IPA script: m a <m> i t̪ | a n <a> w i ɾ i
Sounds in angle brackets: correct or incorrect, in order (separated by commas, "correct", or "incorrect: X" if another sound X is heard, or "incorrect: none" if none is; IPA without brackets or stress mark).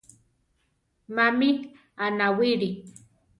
correct, correct